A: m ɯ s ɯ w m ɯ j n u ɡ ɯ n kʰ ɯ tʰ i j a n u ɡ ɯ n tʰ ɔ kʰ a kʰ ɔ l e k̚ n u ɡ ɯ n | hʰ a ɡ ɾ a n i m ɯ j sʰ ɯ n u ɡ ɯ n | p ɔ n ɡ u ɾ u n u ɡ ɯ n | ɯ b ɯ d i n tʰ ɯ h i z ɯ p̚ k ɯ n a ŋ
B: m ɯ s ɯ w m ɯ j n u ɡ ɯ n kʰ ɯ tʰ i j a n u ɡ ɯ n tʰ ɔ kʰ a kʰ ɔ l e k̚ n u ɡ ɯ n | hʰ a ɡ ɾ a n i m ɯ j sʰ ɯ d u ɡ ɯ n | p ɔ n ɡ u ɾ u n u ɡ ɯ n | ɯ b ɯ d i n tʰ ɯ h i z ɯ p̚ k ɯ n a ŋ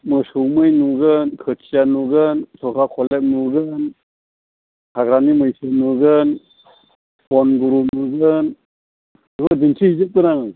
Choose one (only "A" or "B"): A